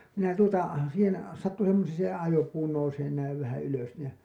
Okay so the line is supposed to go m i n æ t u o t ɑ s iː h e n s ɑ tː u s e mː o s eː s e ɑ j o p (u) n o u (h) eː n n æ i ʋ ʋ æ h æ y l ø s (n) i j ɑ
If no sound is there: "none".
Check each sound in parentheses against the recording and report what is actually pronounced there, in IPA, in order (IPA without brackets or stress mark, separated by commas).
uː, s, n